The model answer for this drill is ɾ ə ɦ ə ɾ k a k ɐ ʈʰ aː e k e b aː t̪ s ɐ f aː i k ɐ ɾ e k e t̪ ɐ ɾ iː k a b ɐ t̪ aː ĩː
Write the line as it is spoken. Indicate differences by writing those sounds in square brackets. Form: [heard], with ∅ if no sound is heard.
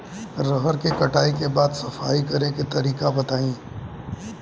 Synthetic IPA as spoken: ɾ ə ɦ ə ɾ k [e] k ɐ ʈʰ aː [i] k e b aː [d̪] s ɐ f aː i k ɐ ɾ e k e t̪ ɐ ɾ iː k a b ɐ t̪ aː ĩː